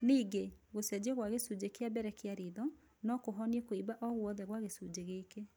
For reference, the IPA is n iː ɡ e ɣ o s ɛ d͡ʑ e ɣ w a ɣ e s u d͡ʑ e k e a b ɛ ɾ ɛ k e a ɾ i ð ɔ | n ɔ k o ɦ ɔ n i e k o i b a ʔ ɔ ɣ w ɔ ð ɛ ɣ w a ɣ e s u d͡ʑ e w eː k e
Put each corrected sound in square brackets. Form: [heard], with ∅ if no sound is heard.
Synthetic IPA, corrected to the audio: n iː ɡ e ɣ o s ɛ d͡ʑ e ɣ w a ɣ e s u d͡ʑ e k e a b ɛ ɾ ɛ k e a ɾ i ð ɔ | n ɔ k o ɦ ɔ n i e k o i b a ʔ ɔ ɣ w ɔ ð ɛ ɣ w a ɣ e s u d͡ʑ e [ɣ] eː k e